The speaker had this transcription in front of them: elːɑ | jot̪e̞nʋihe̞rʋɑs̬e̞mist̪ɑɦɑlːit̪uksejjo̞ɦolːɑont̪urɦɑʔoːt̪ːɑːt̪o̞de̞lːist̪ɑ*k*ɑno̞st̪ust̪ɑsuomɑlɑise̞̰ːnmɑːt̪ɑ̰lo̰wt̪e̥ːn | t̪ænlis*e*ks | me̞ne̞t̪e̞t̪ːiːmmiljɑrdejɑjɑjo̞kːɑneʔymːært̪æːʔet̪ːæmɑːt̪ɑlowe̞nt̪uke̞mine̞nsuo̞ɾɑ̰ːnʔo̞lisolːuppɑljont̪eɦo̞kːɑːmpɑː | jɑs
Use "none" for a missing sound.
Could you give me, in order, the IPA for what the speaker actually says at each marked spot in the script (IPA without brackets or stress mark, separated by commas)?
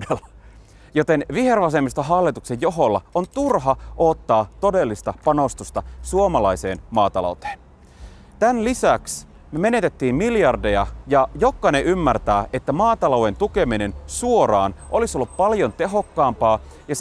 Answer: p, æ